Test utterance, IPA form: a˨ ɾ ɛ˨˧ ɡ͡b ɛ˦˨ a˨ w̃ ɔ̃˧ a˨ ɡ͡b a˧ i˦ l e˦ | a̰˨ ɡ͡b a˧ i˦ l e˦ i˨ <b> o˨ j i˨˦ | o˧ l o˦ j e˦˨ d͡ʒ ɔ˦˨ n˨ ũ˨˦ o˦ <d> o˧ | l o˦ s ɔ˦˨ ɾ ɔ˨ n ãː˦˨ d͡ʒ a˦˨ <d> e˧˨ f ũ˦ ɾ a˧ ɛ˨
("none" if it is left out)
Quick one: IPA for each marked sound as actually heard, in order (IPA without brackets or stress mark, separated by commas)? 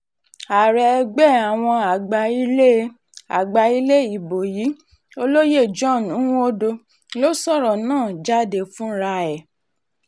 b, d, d